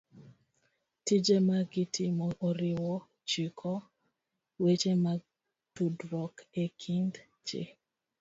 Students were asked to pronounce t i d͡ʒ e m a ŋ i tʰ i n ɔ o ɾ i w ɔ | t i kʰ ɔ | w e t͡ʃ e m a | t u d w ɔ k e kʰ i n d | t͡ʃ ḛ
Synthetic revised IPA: t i d͡ʒ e m a ɡ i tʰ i m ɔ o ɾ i w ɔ | t͡ʃ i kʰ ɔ | w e t͡ʃ e m a | t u d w ɔ k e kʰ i n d | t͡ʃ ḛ